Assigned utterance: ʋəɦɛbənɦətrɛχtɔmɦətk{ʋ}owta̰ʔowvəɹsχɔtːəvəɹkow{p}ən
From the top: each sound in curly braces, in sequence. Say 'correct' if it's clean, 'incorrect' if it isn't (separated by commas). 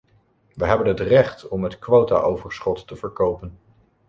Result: correct, correct